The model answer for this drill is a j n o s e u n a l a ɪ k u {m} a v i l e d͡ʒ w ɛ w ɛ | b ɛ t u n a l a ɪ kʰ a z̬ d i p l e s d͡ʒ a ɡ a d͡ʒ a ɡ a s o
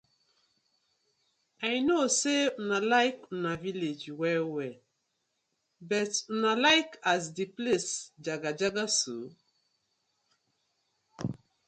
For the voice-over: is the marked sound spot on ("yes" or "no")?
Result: no